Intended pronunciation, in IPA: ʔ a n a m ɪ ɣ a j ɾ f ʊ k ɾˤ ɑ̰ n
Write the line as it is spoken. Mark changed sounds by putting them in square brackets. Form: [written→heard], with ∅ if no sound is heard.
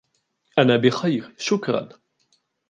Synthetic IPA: ʔ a n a [m→b] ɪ [ɣ→x] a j ɾ [f→ʃ] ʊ k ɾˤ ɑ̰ n

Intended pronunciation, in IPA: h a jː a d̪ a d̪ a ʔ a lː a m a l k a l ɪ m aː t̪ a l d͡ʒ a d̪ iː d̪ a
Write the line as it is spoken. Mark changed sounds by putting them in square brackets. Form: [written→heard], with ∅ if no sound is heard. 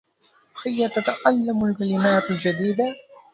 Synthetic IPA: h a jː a [d̪→t̪] a [d̪→t̪] a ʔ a lː a m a l k a l ɪ m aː t̪ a l d͡ʒ a d̪ iː d̪ a

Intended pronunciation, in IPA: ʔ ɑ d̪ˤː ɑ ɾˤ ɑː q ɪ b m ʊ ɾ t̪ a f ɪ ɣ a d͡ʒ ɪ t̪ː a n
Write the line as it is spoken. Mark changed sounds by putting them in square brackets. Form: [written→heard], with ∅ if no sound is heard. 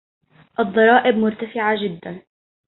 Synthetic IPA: ʔ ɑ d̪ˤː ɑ ɾˤ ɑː [q→ʔ] ɪ b m ʊ ɾ t̪ a f ɪ [ɣ→ʕ] a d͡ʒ ɪ [t̪ː→d̪ː] a n

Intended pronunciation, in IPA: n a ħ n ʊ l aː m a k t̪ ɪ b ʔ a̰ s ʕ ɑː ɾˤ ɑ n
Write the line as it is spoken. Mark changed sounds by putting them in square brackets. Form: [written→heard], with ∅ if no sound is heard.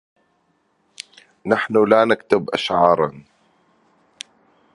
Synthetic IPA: n a ħ n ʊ l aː [m→n] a k t̪ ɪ b ʔ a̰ [s→ʃ] ʕ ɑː ɾˤ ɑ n

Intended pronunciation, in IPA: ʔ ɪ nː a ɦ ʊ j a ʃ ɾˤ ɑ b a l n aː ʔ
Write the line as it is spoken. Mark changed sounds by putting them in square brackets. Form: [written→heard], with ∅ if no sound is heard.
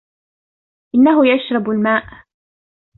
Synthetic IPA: ʔ ɪ nː a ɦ ʊ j a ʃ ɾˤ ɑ b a l [n→m] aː ʔ

